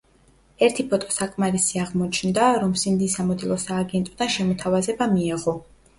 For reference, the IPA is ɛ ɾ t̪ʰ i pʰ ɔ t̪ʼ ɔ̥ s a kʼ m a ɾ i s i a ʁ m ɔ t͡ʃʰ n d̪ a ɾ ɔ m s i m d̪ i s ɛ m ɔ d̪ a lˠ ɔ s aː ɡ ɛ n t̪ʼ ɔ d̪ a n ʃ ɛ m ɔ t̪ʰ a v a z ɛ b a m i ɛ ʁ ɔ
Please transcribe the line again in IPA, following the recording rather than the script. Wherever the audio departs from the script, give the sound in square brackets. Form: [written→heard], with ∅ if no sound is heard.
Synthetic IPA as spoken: ɛ ɾ t̪ʰ i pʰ ɔ t̪ʼ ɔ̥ s a kʼ m a ɾ i s i a ʁ m ɔ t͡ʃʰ n d̪ a ɾ ɔ m s i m d̪ i s [ɛ→a] m ɔ d̪ [a→i] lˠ ɔ s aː ɡ ɛ n t̪ʼ ɔ d̪ a n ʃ ɛ m ɔ t̪ʰ a v a z ɛ b a m i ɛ ʁ ɔ